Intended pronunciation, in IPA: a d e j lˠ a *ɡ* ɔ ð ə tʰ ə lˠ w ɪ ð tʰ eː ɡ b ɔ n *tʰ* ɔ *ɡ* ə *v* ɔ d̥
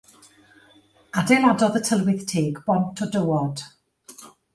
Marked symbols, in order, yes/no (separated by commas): no, yes, no, no